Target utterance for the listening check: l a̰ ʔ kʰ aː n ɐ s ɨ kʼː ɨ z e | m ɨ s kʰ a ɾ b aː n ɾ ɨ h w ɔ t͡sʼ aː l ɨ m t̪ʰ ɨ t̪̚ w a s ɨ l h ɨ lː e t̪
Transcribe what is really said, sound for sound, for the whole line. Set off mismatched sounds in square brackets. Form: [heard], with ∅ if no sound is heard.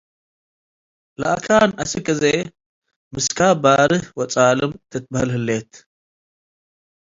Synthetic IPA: l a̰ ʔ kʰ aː n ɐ s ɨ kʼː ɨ z e | m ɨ s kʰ a [∅] b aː [∅] ɾ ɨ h w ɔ t͡sʼ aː l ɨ m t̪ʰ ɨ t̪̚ [b] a [h] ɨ l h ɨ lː e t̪